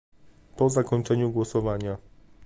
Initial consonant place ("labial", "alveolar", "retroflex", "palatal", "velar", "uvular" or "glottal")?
labial